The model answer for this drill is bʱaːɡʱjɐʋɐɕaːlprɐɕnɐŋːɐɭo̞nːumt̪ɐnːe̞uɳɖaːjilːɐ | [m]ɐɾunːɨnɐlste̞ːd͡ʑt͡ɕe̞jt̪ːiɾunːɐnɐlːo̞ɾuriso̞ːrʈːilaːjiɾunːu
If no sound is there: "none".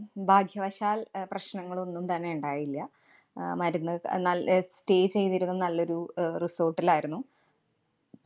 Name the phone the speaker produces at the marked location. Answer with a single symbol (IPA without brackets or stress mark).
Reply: m